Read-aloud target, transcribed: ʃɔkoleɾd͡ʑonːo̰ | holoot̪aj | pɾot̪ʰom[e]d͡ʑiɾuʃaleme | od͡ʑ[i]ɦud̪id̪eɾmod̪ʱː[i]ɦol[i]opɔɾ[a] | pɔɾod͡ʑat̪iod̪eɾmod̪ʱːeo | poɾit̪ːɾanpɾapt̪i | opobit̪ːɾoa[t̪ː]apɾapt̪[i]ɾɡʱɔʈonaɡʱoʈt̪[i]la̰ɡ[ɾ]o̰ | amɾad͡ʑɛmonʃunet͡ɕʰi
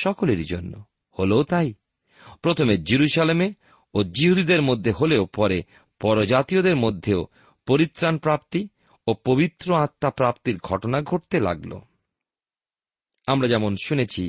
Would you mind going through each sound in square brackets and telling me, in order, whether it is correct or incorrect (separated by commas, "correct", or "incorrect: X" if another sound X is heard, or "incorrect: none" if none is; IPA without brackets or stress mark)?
correct, correct, incorrect: e, incorrect: e, incorrect: e, correct, correct, incorrect: e, incorrect: l